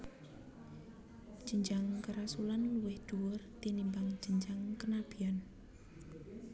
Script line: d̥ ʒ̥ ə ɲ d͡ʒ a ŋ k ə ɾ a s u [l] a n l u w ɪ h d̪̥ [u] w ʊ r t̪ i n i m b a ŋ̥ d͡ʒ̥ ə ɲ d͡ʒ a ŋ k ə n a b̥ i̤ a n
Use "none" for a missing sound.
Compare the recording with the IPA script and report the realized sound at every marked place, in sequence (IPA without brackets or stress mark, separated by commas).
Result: l, u